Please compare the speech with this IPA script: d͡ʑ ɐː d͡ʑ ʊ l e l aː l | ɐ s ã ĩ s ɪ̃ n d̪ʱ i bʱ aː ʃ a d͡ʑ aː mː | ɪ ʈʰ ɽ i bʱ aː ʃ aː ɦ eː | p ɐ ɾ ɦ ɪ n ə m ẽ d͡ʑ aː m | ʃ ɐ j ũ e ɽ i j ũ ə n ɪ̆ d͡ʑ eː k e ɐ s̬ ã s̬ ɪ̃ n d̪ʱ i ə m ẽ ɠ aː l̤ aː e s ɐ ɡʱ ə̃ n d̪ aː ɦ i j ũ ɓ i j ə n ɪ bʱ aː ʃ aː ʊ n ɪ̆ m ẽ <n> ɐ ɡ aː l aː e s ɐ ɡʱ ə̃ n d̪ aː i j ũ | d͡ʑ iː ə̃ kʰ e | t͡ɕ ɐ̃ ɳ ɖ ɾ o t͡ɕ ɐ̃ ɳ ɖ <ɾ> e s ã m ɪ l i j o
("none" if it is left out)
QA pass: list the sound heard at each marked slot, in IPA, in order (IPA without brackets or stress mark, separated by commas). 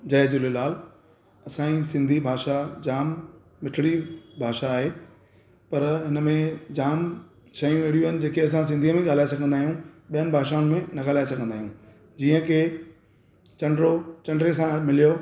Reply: n, ɾ